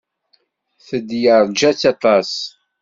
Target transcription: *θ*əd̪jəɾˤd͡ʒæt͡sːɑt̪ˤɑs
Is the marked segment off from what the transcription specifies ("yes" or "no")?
no